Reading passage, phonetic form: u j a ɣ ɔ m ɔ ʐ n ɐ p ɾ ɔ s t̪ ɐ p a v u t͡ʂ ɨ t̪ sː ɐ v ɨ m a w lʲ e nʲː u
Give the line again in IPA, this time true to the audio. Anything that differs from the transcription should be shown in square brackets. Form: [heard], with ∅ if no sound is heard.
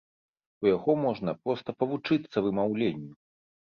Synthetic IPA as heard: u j a ɣ ɔ m ɔ ʐ n ɐ p ɾ ɔ s t̪ ɐ p [ɐ] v u t͡ʂ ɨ t̪ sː ɐ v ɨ m a w lʲ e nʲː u